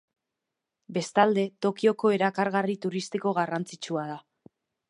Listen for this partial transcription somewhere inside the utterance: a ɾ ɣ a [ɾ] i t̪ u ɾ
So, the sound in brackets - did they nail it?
no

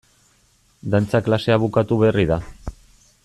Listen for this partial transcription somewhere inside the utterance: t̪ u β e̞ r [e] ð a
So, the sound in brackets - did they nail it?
no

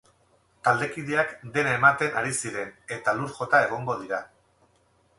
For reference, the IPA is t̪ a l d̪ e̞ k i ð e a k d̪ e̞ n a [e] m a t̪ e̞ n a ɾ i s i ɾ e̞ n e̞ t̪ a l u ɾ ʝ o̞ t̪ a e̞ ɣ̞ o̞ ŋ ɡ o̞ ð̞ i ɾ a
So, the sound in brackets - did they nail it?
yes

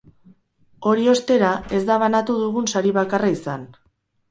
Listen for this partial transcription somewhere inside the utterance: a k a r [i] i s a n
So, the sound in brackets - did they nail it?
no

